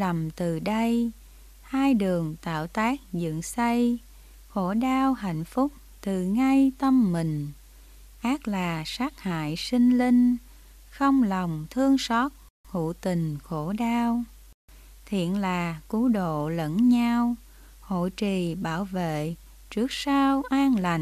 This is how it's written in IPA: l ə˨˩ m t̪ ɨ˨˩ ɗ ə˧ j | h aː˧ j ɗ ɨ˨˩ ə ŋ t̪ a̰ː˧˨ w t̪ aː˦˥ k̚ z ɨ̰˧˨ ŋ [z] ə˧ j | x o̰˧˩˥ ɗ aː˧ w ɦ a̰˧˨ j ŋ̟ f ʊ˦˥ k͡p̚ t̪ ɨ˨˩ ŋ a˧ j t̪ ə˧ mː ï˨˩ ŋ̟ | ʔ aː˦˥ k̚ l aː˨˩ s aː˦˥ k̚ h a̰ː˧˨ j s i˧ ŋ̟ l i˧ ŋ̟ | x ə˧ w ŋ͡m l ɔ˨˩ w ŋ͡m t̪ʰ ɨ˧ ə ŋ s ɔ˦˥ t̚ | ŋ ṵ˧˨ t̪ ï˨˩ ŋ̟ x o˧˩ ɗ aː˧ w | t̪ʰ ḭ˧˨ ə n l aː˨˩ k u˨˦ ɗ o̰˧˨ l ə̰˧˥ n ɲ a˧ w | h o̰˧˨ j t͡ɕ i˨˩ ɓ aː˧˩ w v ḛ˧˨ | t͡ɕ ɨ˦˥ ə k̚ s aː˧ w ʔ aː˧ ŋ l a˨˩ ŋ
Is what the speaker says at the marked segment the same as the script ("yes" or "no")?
no